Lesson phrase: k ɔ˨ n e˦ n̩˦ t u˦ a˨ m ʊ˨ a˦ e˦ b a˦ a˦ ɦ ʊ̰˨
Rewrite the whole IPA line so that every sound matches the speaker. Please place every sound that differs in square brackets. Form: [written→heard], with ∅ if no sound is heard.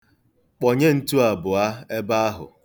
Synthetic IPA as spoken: [k→k͡p] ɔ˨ [n→ɲ] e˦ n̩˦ t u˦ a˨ [m→b] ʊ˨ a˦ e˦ b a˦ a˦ ɦ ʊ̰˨